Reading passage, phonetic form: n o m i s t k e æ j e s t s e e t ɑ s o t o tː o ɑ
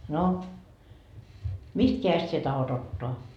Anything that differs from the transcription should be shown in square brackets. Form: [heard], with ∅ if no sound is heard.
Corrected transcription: n o m i s t k e æ j e s t s [i] e t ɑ [h] o t o tː o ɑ